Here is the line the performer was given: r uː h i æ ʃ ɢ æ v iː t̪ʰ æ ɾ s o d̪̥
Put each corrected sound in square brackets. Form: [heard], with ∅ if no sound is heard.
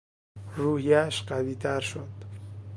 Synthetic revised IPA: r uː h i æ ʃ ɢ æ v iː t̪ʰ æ ɾ [ʃ] o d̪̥